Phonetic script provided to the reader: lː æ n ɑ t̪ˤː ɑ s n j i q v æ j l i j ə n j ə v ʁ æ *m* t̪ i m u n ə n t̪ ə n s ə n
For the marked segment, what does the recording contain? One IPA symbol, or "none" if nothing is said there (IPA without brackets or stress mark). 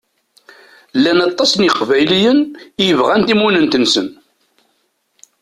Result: n